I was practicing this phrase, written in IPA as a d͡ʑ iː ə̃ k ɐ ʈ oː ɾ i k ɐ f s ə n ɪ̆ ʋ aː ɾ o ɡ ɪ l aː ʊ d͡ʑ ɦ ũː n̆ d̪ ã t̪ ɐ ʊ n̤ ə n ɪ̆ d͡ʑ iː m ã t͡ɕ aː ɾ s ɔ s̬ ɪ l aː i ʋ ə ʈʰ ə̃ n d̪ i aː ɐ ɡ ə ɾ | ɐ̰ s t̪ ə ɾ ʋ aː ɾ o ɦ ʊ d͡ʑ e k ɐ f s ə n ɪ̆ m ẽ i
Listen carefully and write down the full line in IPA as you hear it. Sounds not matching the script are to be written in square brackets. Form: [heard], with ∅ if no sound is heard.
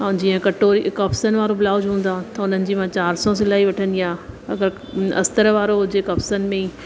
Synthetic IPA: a d͡ʑ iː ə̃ k ɐ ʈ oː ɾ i k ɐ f s ə n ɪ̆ ʋ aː ɾ o [b] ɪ l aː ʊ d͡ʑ ɦ ũː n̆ d̪ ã t̪ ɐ ʊ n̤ ə n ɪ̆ d͡ʑ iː m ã t͡ɕ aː ɾ s ɔ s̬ ɪ l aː i ʋ [ɐ] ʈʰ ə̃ n d̪ i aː ɐ ɡ ə ɾ | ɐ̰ s t̪ ə ɾ ʋ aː ɾ o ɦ ʊ d͡ʑ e k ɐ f s ə n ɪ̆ m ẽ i